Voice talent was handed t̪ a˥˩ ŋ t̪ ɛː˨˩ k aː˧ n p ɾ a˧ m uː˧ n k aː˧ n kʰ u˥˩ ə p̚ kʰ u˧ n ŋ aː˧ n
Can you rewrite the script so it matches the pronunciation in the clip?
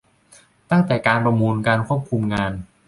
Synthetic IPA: t̪ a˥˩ ŋ t̪ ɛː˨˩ k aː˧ n p ɾ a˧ m uː˧ n k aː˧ n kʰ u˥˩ ə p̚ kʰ u˧ m ŋ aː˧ n

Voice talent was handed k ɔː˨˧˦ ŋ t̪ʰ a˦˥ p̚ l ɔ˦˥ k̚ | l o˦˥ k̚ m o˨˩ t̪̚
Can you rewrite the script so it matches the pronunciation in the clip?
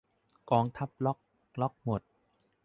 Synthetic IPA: k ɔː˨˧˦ ŋ t̪ʰ a˦˥ p̚ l ɔ˦˥ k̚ | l ɔ˦˥ k̚ m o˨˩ t̪̚

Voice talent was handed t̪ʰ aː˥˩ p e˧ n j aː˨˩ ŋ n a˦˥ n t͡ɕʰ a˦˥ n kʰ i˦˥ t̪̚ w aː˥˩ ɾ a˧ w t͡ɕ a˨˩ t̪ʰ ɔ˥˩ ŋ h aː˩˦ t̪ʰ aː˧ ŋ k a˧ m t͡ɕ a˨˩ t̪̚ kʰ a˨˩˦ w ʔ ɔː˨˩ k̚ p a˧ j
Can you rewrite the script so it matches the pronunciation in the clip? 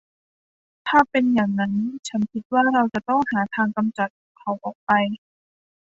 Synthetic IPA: t̪ʰ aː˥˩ p e˧ n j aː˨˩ ŋ n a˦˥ n t͡ɕʰ a˦˥ n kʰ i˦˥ t̪̚ w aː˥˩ ɾ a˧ w t͡ɕ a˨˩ t̪ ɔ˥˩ ŋ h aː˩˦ t̪ʰ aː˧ ŋ k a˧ m t͡ɕ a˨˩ t̪̚ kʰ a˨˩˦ w ʔ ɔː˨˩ k̚ p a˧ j

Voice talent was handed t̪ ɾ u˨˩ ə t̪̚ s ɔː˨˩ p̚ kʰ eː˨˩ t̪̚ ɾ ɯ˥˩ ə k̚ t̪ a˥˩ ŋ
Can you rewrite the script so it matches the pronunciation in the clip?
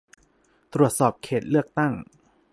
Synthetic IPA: t̪ ɾ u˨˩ ə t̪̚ s ɔː˨˩ p̚ kʰ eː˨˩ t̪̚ l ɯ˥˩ ə k̚ t̪ a˥˩ ŋ

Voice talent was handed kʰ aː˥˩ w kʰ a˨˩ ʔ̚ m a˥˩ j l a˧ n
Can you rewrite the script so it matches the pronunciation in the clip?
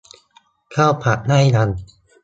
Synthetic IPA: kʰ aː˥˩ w pʰ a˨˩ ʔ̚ n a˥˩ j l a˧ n

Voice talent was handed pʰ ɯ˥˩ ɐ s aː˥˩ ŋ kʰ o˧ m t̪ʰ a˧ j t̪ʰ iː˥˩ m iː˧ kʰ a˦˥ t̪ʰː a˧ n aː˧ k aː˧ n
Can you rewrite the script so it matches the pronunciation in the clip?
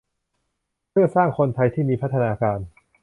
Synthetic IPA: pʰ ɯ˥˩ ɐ s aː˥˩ ŋ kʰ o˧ n t̪ʰ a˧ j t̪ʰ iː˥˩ m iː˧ pʰ a˦˥ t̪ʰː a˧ n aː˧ k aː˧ n

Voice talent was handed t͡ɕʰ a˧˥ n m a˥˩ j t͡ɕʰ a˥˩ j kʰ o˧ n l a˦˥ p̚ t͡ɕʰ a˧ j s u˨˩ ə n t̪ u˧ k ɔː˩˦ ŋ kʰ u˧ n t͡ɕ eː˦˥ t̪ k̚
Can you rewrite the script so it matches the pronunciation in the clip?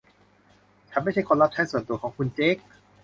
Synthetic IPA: t͡ɕʰ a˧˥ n m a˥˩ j t͡ɕʰ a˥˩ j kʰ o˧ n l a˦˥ p̚ t͡ɕʰ a˦˥ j s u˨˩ ə n t̪ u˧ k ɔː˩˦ ŋ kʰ u˧ n t͡ɕ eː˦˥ k̚

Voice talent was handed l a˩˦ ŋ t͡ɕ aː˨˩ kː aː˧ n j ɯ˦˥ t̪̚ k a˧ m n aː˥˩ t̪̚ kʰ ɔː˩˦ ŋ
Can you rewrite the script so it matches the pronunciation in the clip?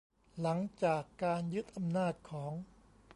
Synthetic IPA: l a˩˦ ŋ t͡ɕ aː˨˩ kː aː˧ n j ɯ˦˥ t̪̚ ʔ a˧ m n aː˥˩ t̪̚ kʰ ɔː˩˦ ŋ

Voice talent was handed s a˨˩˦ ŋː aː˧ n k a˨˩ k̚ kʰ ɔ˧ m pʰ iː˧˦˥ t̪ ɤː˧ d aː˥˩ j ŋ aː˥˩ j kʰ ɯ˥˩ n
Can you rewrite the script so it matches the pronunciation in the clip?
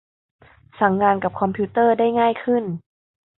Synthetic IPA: s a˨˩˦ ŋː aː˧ n k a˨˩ p̚ kʰ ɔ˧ m pʰ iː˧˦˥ t̪ ɤː˥˩ d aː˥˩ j ŋ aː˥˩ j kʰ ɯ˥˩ n

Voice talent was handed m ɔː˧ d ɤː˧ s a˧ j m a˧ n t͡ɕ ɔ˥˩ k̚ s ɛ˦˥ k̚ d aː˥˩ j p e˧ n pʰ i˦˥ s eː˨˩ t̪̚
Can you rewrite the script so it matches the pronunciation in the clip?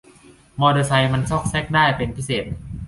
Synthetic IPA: m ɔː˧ d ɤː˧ s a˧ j m a˧ n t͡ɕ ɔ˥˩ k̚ s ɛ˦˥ k̚ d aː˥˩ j p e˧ n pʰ i˦˥ s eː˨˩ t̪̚

